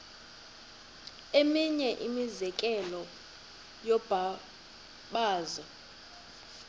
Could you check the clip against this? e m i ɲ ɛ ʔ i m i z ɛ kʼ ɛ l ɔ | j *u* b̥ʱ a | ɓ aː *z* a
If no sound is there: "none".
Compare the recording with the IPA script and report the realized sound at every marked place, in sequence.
ɔ, z

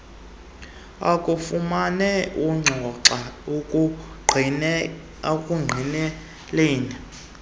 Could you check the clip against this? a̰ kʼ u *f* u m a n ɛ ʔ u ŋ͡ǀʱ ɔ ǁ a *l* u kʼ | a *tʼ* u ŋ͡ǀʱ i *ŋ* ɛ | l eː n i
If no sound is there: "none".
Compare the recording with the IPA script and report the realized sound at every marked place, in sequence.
f, none, kʼ, n

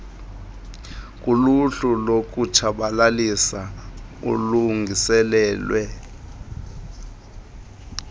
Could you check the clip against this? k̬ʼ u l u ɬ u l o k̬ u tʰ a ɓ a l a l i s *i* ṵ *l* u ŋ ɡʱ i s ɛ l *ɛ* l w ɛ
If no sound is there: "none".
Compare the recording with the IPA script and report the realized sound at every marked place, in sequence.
a, l, ɛː

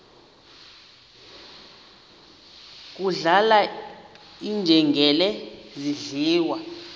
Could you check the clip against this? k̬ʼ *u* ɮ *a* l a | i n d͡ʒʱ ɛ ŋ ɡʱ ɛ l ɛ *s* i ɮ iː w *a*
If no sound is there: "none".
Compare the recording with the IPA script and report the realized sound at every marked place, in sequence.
u, a, z, a

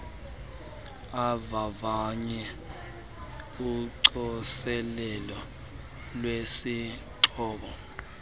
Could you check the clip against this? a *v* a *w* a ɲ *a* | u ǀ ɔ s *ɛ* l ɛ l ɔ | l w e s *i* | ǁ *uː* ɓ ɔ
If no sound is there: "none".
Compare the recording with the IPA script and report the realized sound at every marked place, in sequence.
v, v, ɛ, ɛ, i, ɔː

